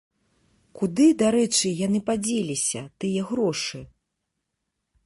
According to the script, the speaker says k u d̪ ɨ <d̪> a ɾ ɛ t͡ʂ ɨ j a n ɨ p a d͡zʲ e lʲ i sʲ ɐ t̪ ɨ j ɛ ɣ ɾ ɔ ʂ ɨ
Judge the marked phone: correct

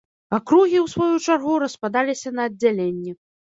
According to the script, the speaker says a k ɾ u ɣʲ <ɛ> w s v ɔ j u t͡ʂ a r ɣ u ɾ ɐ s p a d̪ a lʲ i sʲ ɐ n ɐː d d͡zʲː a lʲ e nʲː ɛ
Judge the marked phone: incorrect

